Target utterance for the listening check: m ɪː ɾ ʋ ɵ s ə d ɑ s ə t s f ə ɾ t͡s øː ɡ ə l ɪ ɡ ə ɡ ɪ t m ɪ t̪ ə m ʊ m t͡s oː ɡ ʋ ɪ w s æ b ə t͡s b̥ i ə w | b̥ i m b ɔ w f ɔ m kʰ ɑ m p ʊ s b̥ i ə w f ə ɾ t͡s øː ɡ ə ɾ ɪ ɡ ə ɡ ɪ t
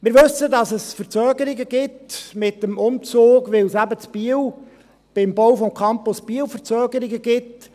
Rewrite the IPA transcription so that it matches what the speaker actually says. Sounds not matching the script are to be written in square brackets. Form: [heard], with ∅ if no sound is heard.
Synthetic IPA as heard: m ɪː ɾ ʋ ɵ s ə d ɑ s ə [∅] s f ə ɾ t͡s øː ɡ ə [ɾ] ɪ ɡ ə ɡ ɪ t m ɪ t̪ ə m ʊ m t͡s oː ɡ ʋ ɪ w s æ b ə t͡s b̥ i ə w | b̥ [ɪ] m b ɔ w f ɔ m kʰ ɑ m p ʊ s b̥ i ə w f ə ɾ t͡s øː ɡ ə ɾ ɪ ɡ ə ɡ ɪ t

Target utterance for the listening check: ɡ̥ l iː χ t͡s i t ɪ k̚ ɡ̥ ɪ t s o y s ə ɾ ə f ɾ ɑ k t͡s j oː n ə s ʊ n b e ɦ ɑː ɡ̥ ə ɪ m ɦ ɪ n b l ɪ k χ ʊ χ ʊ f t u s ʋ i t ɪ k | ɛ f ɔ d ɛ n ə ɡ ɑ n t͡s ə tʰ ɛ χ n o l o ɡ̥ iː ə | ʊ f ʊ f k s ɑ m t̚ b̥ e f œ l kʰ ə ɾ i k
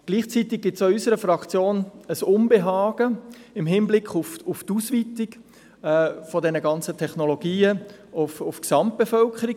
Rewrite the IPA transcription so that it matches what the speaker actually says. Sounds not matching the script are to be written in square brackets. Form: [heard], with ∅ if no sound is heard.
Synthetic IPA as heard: ɡ̥ l iː χ t͡s i t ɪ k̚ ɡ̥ ɪ t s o y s ə ɾ ə f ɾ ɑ k t͡s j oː n ə s ʊ n b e ɦ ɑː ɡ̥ ə ɪ m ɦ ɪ n b l ɪ k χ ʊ [f] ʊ f t u s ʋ i t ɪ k | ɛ f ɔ d ɛ n ə ɡ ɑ n t͡s ə tʰ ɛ χ n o l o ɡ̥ iː ə | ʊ f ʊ f k s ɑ m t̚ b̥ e f œ l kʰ ə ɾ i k

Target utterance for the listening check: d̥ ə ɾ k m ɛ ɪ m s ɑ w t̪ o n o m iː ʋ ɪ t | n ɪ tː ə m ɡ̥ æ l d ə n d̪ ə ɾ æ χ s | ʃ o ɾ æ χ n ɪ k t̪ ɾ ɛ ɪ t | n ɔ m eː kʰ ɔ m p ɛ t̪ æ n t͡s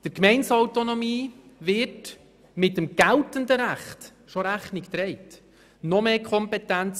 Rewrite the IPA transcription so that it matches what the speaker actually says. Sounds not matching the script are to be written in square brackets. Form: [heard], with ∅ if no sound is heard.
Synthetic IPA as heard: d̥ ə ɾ k m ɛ ɪ [n] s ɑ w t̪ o n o m iː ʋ ɪ t | [m] ɪ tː ə m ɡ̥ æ l [t] ə n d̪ ə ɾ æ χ [t] | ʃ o ɾ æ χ n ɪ k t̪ ɾ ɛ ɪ t | n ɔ m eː kʰ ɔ m p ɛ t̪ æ n t͡s

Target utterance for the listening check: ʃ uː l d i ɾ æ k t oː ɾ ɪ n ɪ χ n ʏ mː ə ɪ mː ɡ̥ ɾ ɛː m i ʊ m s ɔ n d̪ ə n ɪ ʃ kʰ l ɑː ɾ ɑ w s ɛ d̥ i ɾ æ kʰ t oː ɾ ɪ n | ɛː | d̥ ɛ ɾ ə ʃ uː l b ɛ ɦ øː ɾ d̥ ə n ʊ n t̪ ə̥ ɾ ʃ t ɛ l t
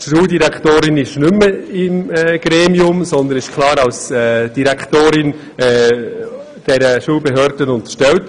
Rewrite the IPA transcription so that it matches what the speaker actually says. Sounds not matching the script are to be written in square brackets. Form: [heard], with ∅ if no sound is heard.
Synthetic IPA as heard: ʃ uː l d i ɾ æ k t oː ɾ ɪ n ɪ [ʃ] n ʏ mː ə ɪ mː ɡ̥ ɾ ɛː m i ʊ m s ɔ n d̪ ə n ɪ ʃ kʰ l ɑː ɾ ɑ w s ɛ d̥ i ɾ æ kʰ t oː ɾ ɪ n | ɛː | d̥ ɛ ɾ ə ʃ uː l b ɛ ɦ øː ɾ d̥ ə n ʊ n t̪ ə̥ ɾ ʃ t ɛ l t

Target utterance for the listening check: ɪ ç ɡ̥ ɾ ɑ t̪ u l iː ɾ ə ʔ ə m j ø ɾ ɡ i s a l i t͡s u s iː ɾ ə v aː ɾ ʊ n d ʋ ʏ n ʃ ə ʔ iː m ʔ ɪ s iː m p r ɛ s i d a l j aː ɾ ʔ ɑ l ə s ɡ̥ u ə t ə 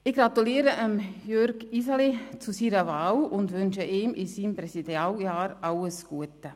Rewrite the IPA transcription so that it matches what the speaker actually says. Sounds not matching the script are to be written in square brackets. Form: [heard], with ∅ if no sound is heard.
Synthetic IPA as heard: ɪ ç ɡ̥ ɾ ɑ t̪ u l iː ɾ ə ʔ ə m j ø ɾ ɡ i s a l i t͡s u s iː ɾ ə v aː [l] ʊ n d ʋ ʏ n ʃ ə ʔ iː m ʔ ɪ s iː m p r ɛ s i d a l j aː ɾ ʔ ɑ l ə s ɡ̥ u ə t ə

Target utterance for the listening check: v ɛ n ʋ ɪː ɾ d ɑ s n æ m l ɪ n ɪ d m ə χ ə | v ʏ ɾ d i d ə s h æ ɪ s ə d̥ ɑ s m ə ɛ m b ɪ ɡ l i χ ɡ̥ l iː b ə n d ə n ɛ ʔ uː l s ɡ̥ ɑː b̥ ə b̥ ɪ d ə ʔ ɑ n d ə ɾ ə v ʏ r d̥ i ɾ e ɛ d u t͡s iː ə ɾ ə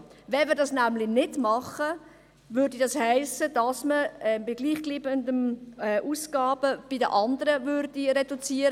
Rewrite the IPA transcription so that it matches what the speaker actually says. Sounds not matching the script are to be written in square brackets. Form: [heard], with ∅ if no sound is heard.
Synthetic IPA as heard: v ɛ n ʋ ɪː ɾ d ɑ s n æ m l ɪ n ɪ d m [ɑ] χ ə | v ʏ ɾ d i d [ɑ] s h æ ɪ s ə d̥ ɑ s m ə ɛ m b ɪ ɡ l [iː] χ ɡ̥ l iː b ə n d ə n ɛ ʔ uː [∅] s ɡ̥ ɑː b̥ ə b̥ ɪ d ə ʔ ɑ n d ə ɾ ə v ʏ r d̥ i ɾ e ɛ d u t͡s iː ə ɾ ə

